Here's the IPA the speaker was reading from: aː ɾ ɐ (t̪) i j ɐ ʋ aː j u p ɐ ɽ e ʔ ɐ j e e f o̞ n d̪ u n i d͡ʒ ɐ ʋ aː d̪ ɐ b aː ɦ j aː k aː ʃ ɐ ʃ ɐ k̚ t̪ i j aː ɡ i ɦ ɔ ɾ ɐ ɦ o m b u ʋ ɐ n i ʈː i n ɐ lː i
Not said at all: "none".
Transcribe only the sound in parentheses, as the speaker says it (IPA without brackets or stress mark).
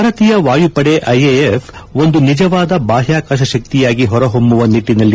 t̪